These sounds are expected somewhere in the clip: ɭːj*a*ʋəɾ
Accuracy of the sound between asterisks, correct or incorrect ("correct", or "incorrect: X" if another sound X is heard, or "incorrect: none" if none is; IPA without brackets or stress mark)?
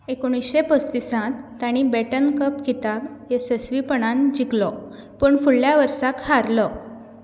correct